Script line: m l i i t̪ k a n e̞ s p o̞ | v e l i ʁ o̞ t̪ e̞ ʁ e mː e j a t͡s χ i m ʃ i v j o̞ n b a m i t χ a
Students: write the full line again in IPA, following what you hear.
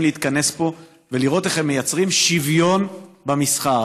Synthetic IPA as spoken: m l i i t̪ k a n e̞ s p o̞ | v e l i ʁ o̞ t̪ e̞ χ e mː e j a t͡s ʁ i m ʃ i v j o̞ n b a m i s χ a